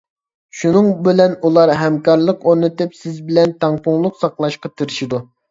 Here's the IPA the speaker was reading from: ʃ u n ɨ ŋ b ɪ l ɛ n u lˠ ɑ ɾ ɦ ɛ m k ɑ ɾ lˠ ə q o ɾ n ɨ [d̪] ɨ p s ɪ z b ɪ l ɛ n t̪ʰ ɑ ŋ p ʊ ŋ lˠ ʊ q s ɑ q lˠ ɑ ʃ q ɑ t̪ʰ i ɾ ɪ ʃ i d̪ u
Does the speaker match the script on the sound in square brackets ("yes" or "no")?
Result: no